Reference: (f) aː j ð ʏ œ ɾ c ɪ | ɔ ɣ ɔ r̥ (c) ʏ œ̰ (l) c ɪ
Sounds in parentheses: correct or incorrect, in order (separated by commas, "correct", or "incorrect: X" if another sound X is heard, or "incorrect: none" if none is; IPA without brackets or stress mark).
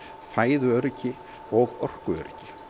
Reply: correct, incorrect: k, incorrect: ɾ